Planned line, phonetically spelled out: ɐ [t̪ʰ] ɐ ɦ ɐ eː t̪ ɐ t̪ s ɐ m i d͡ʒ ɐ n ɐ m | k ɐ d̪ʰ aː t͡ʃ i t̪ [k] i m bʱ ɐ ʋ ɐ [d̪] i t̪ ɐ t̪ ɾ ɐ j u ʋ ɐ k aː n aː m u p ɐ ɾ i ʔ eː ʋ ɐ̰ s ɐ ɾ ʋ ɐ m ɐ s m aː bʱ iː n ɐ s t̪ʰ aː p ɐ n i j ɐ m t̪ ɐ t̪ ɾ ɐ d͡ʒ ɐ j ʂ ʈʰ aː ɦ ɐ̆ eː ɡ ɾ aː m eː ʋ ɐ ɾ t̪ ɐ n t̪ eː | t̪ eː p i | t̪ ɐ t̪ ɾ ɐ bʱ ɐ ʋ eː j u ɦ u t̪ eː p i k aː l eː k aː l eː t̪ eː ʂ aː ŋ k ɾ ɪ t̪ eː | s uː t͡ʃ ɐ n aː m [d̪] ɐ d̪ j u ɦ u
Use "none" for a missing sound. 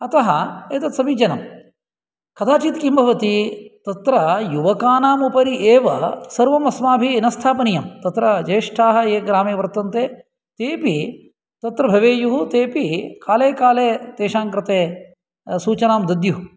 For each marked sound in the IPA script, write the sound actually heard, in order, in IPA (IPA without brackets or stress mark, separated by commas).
t̪, k, t̪, d̪